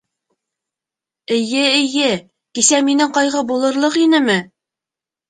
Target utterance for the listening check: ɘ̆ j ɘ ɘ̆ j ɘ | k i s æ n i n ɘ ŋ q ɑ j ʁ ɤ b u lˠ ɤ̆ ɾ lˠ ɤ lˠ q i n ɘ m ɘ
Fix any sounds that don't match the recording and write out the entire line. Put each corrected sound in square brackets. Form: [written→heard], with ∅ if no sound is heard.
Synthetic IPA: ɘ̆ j ɘ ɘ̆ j ɘ | k i s æ [n→m] i n ɘ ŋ q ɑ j ʁ ɤ b u lˠ ɤ̆ ɾ lˠ ɤ [lˠ→∅] q i n ɘ m ɘ